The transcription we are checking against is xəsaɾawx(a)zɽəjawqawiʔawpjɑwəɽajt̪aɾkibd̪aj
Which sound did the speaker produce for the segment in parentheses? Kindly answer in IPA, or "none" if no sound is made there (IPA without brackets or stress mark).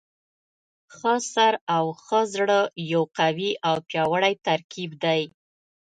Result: ə